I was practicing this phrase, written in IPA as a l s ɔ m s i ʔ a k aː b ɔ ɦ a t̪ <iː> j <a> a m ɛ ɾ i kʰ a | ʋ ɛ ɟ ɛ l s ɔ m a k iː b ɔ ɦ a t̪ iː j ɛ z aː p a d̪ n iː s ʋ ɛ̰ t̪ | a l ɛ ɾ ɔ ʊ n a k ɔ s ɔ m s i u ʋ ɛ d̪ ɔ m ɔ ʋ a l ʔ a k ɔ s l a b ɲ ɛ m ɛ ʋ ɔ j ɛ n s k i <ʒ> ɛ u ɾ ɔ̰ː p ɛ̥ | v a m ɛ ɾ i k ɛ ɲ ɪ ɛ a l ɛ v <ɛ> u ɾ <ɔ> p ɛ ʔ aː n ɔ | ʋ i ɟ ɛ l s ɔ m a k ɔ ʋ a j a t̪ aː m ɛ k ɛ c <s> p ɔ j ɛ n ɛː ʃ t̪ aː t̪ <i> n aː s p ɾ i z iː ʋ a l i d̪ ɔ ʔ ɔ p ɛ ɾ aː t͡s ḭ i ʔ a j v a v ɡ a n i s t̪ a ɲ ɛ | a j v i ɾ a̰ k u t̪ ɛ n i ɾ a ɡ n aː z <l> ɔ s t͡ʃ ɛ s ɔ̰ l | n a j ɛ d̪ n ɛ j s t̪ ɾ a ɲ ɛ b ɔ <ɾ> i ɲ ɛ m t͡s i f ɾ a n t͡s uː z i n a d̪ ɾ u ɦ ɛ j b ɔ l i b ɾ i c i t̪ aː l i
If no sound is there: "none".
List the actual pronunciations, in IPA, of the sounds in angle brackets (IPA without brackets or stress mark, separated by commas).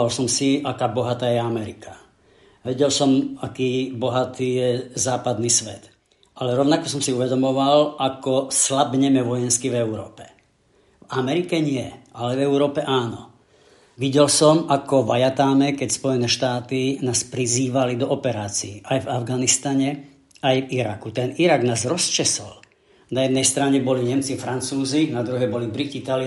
aː, ɛ, v, ɛ, ɔː, s, i, ɾ, l